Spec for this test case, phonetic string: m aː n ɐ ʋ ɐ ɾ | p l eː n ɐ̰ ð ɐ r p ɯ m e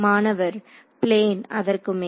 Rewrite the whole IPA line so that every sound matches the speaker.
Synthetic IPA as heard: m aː n ɐ ʋ ɐ ɾ | p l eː n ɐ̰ ð ɐ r k ɯ m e